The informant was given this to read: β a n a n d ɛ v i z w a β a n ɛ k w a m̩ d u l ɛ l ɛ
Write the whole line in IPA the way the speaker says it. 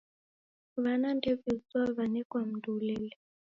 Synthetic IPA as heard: β a n a n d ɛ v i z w a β a n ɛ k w a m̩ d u l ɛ l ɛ

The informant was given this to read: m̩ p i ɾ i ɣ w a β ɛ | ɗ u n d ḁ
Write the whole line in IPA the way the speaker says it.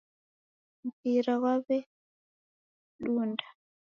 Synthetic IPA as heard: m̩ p i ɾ a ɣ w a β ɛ | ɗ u n d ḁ

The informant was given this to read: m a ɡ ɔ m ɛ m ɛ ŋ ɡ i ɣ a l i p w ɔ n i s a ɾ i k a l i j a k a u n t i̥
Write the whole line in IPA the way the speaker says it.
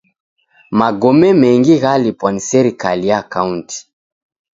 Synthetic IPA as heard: m a ɡ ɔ m ɛ m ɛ ŋ ɡ i ɣ a l i p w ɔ n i s ɛ ɾ i k a l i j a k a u n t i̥

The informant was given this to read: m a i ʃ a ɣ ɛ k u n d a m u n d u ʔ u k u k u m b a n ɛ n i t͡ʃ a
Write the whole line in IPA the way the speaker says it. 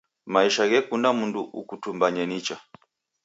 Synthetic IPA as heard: m a i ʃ a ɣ ɛ k u n d a m u n d u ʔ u k u t u m b a ɲ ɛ n i t͡ʃ a

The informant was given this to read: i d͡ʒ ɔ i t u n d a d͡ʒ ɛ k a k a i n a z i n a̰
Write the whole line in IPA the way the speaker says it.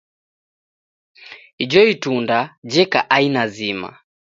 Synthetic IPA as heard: i d͡ʒ ɔ i t u n d a d͡ʒ ɛ k a ʔ a i n a z i m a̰

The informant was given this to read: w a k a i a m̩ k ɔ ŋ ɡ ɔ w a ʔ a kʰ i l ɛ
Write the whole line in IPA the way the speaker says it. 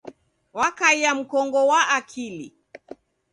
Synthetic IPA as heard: w a k a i a m̩ k ɔ ŋ ɡ ɔ w a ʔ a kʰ i l i

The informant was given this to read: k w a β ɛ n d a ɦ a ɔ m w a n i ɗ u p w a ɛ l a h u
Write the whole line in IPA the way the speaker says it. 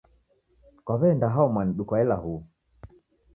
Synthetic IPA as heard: k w a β ɛ n d a ɦ a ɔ m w a n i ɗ u k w a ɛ l a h u

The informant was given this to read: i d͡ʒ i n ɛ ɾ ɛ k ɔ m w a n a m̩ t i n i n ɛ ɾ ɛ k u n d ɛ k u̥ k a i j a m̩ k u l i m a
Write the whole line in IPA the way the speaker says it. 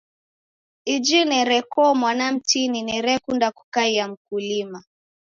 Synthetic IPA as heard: i d͡ʒ i n ɛ ɾ ɛ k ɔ m w a n a m̩ t i n i n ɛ ɾ ɛ k u n d a k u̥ k a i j a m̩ k u l i m a

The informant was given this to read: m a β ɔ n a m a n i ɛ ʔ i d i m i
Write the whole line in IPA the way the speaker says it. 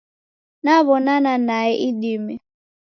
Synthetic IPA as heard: n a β ɔ n a n a n a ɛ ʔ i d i m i

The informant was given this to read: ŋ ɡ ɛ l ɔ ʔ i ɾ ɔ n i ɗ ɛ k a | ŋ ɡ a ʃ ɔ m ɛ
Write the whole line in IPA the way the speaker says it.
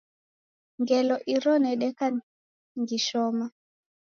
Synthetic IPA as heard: ŋ ɡ ɛ l ɔ ʔ i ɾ ɔ n ɛ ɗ ɛ k a | ŋ ɡ i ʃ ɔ m a

